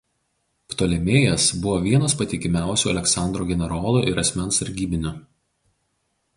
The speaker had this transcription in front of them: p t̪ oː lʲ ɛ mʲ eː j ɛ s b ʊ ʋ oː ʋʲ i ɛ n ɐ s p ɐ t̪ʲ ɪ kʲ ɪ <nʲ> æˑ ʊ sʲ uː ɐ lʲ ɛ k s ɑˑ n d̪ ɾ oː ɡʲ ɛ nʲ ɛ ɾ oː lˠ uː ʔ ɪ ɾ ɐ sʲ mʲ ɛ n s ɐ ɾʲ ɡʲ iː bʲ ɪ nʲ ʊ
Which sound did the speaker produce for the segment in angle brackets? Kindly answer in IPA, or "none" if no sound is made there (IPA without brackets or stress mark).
mʲ